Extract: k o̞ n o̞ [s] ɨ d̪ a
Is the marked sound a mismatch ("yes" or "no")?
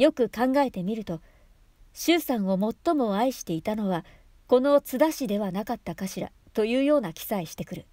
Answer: yes